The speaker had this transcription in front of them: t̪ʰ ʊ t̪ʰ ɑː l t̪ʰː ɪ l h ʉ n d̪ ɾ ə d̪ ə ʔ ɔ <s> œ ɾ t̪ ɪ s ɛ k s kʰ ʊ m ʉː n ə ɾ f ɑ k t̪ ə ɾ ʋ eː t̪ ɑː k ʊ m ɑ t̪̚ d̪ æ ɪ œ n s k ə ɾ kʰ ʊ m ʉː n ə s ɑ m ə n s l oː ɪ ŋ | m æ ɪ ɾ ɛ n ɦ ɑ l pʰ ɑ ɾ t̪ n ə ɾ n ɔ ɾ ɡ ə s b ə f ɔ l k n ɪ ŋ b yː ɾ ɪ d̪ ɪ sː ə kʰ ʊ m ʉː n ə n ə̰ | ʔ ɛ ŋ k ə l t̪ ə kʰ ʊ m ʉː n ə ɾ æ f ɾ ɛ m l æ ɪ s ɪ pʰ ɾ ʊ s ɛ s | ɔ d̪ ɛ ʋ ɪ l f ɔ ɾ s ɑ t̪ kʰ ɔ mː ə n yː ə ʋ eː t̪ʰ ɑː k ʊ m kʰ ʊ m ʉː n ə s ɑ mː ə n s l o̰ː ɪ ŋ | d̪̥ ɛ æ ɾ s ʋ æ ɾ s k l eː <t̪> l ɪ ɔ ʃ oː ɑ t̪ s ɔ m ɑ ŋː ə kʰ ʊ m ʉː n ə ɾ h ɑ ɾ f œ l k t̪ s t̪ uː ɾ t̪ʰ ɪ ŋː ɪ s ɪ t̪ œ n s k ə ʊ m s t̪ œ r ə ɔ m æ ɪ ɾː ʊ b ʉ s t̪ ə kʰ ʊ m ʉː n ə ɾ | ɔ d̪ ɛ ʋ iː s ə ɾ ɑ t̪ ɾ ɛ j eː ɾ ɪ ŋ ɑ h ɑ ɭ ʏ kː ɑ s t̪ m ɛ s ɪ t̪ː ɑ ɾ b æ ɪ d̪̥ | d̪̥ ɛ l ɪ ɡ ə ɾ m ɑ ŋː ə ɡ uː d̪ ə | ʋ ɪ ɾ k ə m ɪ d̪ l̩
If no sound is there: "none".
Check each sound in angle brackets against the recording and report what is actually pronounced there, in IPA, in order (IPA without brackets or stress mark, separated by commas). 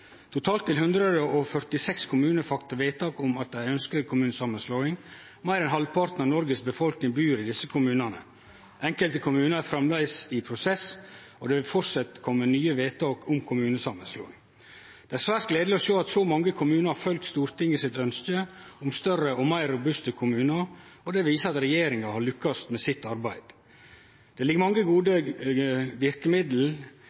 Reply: f, d̪